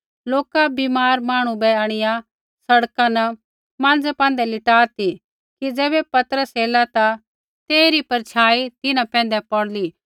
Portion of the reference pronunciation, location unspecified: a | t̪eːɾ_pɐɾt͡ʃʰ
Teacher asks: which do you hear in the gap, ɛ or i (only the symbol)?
i